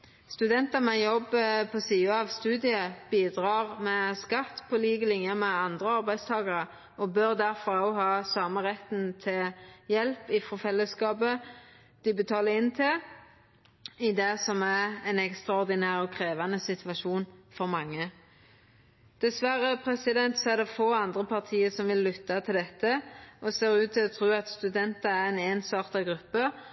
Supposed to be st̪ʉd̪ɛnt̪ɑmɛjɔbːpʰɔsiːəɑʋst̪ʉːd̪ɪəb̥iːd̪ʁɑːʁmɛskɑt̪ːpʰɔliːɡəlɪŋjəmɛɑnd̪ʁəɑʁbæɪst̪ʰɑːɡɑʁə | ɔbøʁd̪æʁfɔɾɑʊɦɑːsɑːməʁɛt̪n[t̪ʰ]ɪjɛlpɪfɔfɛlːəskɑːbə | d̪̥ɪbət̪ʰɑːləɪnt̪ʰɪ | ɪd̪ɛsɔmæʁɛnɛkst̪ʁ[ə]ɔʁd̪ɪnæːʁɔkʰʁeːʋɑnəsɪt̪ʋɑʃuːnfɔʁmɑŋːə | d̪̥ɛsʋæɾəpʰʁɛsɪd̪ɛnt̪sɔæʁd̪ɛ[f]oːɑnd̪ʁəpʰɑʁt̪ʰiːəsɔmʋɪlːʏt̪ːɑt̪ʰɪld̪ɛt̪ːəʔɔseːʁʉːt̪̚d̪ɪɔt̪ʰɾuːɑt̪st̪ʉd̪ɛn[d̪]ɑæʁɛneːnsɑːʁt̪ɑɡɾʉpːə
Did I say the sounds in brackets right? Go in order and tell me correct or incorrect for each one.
correct, incorrect: ɑ, correct, incorrect: t̪

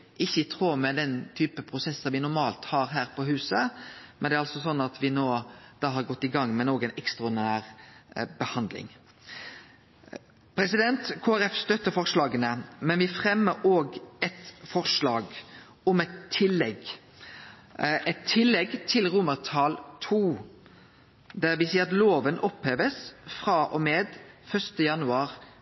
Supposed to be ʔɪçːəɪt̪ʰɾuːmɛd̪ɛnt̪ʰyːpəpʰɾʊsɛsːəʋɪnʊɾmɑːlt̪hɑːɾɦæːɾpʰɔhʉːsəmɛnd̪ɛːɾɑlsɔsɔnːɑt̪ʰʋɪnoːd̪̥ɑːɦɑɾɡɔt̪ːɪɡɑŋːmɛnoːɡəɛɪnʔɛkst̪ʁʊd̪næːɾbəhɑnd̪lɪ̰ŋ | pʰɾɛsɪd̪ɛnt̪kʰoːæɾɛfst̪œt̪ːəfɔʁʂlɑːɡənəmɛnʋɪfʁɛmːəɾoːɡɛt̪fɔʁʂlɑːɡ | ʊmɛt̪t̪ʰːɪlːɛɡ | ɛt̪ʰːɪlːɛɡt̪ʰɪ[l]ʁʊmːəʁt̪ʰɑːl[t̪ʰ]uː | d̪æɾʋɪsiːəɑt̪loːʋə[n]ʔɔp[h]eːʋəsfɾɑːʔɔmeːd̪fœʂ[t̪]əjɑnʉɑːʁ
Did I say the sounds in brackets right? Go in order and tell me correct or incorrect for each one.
correct, correct, correct, correct, correct

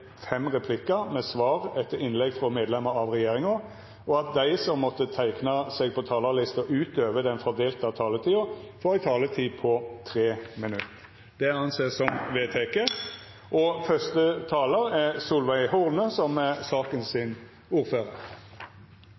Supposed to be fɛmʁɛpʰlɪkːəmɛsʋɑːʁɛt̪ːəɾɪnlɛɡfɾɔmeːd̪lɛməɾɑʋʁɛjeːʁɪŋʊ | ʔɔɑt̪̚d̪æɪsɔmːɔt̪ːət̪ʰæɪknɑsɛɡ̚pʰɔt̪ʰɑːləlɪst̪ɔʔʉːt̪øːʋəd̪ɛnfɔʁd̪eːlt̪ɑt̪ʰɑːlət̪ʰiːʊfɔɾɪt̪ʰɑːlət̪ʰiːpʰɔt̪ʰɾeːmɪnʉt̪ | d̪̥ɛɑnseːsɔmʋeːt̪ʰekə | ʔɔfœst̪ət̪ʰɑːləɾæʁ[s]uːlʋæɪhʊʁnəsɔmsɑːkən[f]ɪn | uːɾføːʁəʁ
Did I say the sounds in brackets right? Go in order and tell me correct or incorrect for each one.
correct, incorrect: s

